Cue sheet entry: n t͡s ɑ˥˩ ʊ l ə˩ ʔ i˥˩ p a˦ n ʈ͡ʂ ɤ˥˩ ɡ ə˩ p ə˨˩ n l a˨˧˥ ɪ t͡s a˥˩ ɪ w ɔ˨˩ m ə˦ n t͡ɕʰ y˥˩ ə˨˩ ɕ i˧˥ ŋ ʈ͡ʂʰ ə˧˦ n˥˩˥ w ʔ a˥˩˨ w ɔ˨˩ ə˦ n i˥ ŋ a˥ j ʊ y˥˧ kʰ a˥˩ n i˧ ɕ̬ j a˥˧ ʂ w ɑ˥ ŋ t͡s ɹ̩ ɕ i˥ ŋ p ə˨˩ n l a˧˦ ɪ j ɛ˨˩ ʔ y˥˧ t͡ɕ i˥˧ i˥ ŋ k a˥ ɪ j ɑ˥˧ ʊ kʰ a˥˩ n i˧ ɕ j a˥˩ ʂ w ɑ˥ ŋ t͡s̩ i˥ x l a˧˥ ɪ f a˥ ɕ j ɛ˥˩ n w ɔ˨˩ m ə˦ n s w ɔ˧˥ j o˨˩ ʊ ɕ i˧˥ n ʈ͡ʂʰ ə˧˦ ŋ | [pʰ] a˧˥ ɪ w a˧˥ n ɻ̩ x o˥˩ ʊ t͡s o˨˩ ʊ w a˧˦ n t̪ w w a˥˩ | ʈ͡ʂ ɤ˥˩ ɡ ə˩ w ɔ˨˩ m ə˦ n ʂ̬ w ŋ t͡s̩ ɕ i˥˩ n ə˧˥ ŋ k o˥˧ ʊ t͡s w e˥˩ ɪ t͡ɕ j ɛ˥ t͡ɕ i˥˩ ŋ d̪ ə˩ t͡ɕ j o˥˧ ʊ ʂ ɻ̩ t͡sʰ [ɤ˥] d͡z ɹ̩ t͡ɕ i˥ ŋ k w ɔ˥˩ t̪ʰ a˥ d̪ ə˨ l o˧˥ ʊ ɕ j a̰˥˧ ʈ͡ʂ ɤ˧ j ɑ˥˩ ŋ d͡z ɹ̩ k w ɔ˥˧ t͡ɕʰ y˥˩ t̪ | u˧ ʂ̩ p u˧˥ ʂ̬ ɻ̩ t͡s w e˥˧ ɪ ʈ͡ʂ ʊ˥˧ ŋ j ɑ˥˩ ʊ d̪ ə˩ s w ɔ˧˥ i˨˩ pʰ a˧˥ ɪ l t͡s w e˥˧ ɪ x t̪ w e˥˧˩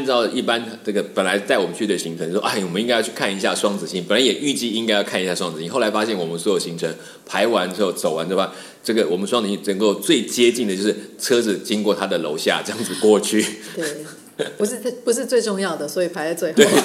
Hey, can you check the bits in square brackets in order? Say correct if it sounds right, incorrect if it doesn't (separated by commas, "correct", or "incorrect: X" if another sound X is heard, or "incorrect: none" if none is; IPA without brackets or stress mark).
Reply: correct, correct